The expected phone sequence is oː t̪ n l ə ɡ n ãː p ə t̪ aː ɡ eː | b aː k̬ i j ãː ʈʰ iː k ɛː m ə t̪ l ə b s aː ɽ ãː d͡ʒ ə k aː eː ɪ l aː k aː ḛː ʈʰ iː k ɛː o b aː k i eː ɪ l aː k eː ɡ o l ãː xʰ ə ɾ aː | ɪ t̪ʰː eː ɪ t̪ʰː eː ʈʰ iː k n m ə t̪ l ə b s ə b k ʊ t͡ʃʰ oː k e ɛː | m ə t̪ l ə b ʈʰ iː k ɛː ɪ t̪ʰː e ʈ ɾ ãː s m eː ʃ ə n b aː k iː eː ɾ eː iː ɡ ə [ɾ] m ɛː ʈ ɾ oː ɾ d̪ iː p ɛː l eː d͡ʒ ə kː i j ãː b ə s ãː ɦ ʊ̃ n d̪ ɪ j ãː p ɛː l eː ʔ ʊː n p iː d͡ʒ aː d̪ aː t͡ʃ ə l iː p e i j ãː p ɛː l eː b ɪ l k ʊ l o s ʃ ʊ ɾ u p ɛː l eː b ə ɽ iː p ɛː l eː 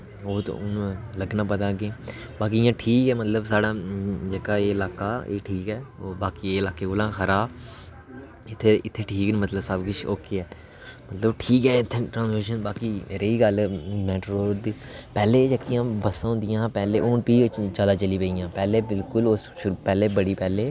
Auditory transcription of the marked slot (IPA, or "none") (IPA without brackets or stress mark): l